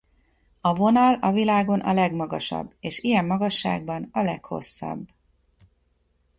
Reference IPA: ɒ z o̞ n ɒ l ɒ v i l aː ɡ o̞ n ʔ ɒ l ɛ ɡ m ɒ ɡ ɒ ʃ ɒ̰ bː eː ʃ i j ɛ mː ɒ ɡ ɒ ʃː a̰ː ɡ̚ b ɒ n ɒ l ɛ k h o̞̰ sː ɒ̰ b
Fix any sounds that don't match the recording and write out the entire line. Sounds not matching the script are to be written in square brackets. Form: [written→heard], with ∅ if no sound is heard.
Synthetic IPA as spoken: ɒ [z→v] o̞ n ɒ l ɒ v i l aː ɡ o̞ n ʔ ɒ l ɛ ɡ m ɒ ɡ ɒ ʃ ɒ̰ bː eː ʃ i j ɛ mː ɒ ɡ ɒ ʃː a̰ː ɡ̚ b ɒ n ɒ l ɛ k h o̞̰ sː ɒ̰ b